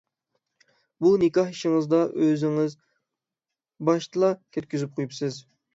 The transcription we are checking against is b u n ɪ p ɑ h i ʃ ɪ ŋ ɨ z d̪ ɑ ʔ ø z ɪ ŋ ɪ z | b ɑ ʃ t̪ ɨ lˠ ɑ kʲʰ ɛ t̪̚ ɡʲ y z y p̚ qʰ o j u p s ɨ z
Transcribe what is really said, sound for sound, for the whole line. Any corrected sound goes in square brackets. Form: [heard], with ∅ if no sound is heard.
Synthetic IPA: b u n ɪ [k] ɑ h i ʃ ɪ ŋ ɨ z d̪ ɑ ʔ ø z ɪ ŋ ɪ z | b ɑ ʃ t̪ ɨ lˠ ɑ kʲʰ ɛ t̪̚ [kʲ] y z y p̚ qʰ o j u p s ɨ z